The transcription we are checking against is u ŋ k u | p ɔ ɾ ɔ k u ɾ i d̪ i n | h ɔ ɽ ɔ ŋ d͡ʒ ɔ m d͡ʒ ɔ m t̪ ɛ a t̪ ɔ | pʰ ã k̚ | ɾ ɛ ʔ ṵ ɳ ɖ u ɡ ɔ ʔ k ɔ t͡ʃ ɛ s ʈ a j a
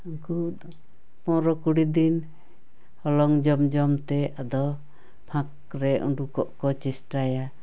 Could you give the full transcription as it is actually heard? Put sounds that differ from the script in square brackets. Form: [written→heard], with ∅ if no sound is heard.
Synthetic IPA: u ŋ k u | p ɔ ɾ ɔ k u [ɾ→ɽ] i d̪ i n | h ɔ [ɽ→l] ɔ ŋ d͡ʒ ɔ m d͡ʒ ɔ m t̪ ɛ a [t̪→d̪] ɔ | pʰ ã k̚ | ɾ ɛ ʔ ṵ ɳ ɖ u [ɡ→k] ɔ ʔ k ɔ t͡ʃ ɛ s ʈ a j a